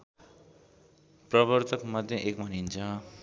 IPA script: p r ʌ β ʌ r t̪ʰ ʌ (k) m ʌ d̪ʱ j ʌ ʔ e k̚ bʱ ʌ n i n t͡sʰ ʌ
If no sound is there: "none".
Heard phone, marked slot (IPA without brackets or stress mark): k